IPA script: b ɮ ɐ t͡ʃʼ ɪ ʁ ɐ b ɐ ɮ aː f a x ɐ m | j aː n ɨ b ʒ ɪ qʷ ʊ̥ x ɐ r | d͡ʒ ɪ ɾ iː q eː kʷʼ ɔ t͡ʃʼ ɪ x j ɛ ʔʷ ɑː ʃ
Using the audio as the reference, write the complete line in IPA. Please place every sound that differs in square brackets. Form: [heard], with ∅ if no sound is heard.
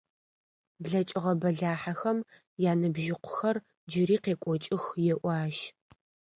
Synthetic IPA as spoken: b ɮ ɐ t͡ʃʼ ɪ ʁ ɐ b ɐ ɮ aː [ħ] a x ɐ m | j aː n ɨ b ʒ ɪ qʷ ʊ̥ x ɐ r | d͡ʒ ɪ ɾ iː q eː kʷʼ ɔ t͡ʃʼ ɪ x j ɛ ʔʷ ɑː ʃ